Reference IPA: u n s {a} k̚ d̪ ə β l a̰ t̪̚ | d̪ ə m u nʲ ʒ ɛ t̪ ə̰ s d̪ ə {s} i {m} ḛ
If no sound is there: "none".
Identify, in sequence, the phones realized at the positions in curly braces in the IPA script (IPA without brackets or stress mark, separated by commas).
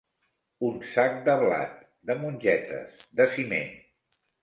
a, s, m